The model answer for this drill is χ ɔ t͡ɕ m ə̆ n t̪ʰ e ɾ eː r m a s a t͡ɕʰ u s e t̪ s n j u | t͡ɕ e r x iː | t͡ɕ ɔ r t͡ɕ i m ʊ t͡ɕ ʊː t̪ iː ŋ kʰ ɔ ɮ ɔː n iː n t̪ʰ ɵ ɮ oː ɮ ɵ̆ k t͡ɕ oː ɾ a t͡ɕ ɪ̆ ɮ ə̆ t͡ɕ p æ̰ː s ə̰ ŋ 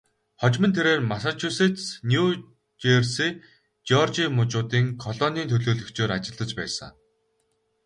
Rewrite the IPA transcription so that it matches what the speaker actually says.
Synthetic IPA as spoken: χ ɔ t͡ɕ m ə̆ n t̪ʰ e ɾ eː r m a s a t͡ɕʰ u s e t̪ s n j u | t͡ɕ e r s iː | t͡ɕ ɔ r t͡ɕ i m ʊ t͡ɕ ʊː t̪ iː ŋ kʰ ɔ ɮ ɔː n iː n t̪ʰ ɵ ɮ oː ɮ ɵ̆ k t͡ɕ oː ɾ a t͡ɕ ɪ̆ ɮ ə̆ t͡ɕ p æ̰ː s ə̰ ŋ

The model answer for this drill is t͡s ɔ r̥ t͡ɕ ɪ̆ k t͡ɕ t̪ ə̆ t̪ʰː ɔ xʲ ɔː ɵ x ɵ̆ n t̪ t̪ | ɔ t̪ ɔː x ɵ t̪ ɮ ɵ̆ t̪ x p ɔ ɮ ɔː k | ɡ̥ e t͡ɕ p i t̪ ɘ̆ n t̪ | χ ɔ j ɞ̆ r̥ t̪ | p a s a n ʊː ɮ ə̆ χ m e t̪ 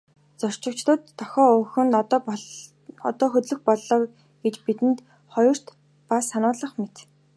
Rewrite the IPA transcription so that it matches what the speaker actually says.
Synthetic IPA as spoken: t͡s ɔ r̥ t͡ɕ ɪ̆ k t͡ɕ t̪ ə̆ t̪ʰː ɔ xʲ ɔː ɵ x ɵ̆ n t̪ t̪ | ɔ t̪ ɔː x ɵ t̪ ɮ ɵ̆ x p ɔ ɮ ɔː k | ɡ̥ e t͡ɕ p i t̪ ɘ̆ n t̪ | χ ɔ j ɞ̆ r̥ t̪ | p a s a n ʊː ɮ ə̆ χ m e t̪

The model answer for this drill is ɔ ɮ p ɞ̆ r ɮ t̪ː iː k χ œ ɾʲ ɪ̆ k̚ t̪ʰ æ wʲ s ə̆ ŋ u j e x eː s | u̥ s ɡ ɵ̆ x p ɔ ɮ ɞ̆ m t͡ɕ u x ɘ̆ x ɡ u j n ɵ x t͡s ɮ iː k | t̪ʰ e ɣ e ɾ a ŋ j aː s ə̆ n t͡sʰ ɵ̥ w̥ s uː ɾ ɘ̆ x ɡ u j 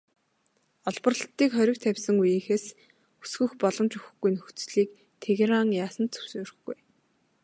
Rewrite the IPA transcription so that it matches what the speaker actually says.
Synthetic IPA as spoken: ɔ ɮ p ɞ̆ r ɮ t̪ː iː k χ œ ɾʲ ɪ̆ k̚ t̪ʰ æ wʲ s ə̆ ŋ u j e x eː s | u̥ s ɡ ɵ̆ x p ɔ ɮ ɞ̆ m t͡ɕ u x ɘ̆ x ɡ u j n ɵ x t͡s ɮ iː k | t̪ʰ e ɣ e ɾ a ŋ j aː s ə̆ n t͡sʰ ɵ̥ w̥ s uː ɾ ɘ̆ x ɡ u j

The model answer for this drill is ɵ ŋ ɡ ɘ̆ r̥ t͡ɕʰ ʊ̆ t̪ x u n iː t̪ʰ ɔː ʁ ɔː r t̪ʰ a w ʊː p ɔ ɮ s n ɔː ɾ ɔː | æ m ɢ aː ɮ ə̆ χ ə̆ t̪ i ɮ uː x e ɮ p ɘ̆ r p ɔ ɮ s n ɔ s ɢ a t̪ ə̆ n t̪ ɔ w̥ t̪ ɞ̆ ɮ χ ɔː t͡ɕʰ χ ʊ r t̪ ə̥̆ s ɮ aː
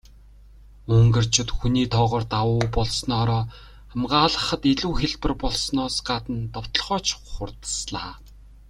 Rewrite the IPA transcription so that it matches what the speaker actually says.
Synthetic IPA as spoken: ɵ ŋ ɡ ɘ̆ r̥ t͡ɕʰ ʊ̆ t̪ x u n iː t̪ʰ ɔː ʁ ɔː r t̪ a w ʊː p ɔ ɮ s n ɔː ɾ ɔː | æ m ɢ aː ɮ ə̆ χ ə̆ t̪ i ɮ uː x e ɮ p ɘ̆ r p ɔ ɮ s n ɔː s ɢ a t̪ ə̆ n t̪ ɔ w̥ t̪ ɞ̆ ɮ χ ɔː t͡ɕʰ χ ʊ r t̪ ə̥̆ s ɮ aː

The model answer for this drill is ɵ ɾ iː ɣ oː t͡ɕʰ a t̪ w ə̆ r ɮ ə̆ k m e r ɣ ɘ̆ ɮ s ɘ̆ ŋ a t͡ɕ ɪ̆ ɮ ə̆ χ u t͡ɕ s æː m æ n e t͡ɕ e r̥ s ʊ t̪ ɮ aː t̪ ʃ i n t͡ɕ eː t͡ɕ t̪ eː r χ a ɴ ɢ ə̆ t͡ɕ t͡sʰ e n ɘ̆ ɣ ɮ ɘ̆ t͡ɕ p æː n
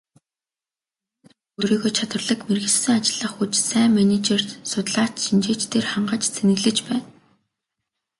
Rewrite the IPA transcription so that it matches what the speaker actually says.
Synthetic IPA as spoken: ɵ ɾ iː ɣ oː t͡ɕʰ a t̪ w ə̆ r ɮ ə̆ k m e r ɣ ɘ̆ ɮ s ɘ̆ ŋ a t͡ɕ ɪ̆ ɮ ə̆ χ u t͡ɕ s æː m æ n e t͡ɕ e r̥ s ʊ t̪ ɮ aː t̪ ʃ i n t͡ɕ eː t͡ɕ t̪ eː r χ a ɴ ɢ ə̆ t͡ɕ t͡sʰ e n ɘ̆ ɣ ɮ ɘ̆ t͡ɕ p æː n

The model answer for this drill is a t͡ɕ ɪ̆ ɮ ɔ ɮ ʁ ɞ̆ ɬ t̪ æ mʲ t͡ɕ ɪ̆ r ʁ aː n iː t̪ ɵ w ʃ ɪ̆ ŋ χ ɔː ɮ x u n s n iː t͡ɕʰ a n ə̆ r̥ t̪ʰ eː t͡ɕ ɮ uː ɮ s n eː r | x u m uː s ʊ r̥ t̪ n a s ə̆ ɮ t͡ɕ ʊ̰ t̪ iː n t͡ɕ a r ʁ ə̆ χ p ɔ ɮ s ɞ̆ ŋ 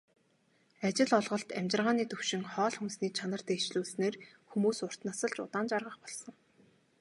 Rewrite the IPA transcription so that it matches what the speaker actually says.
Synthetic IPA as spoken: a t͡ɕ ɪ̆ ɮ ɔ ɮ ʁ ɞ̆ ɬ t̪ æ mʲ t͡ɕ ɪ̆ r ʁ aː n iː t̪ ɵ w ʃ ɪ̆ ŋ χ ɔː ɮ x u n s n iː t͡ɕʰ a n ə̆ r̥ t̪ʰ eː t͡ɕ ɮ uː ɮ s n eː r | x u m uː s ʊ r̥ t̪ n a s ə̆ ɮ t͡ɕ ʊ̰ t̪ aː n t͡ɕ a r ʁ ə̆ χ p ɔ ɮ s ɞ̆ ŋ

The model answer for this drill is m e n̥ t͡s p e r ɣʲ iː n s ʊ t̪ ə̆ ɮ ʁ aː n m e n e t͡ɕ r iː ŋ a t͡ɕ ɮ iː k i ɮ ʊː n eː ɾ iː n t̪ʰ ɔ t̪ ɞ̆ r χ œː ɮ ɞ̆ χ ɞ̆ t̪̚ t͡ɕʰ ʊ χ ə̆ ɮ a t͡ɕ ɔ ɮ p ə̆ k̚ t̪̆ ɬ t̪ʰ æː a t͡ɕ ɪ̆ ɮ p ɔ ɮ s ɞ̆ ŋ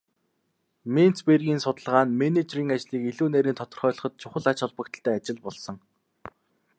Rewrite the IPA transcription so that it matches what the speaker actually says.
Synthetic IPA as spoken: m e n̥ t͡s p e r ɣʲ iː n s ʊ t̪ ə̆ ɮ ʁ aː n m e n e t͡ɕ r iː ŋ a t͡ɕ ɮ iː k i ɮ uː n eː ɾ iː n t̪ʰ ɔ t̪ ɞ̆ r χ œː ɮ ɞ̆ χ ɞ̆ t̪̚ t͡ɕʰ ʊ χ ə̆ ɮ a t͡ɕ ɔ ɮ p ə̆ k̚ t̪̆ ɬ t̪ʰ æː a t͡ɕ ɪ̆ ɮ p ɔ ɮ s ɞ̆ ŋ

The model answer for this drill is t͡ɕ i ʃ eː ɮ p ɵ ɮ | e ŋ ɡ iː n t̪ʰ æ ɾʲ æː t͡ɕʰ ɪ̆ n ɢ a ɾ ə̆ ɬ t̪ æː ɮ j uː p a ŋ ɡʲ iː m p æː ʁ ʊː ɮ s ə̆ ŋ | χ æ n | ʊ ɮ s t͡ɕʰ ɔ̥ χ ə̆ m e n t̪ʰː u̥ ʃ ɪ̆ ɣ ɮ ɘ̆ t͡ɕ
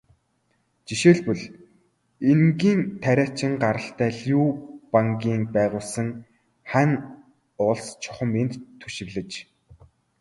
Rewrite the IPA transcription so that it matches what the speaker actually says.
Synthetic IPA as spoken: t͡ɕ i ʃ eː ɮ p ɵ ɮ | e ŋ ɡ iː n t̪ʰ æ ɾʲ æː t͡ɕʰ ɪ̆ ŋ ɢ a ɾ ə̆ ɬ t̪ æː ɮ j uː p a ŋ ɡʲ iː ŋ p æː ʁ ʊː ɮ s ə̆ ŋ | χ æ n | ʊ ɮ s t͡ɕʰ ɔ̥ χ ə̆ m e n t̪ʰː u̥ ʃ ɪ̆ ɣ ɮ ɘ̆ t͡ɕ

